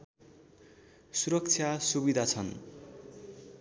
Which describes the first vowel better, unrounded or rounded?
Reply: rounded